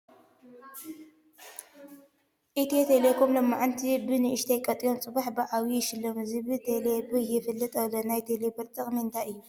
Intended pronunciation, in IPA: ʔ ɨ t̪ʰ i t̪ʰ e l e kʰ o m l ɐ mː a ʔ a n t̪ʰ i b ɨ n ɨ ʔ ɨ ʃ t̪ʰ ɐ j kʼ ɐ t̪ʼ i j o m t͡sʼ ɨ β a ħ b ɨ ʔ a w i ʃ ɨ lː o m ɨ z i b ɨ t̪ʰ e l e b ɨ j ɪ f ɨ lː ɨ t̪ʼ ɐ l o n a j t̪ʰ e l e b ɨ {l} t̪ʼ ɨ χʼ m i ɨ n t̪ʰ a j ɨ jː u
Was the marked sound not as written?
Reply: yes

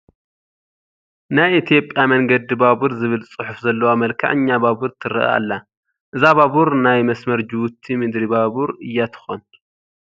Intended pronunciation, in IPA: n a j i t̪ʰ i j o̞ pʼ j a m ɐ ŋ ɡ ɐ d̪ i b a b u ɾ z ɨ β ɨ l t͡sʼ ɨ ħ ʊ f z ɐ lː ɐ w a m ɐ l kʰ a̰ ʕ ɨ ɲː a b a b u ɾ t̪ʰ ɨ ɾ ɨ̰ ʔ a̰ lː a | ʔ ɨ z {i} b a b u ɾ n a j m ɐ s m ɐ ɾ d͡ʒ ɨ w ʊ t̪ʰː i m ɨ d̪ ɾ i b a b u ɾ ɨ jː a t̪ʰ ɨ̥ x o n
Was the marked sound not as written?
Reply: yes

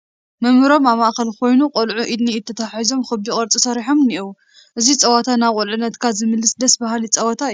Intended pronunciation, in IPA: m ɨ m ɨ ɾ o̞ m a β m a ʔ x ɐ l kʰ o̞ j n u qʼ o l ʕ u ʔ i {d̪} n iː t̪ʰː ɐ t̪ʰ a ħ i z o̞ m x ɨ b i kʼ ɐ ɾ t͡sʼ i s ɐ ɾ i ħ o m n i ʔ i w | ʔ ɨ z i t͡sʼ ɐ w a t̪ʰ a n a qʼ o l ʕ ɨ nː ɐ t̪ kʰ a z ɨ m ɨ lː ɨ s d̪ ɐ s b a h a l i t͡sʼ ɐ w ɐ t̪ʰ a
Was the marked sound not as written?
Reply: no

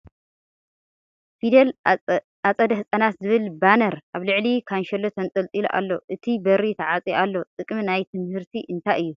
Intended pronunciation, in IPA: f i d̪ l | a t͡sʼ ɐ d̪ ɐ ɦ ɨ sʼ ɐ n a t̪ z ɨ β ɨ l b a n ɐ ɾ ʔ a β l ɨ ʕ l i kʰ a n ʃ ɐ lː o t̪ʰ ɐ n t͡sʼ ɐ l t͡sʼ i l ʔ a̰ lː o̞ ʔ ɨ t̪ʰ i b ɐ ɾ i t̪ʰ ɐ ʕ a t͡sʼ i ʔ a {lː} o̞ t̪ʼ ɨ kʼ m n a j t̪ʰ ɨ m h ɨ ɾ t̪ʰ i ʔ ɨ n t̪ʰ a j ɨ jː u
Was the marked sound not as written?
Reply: no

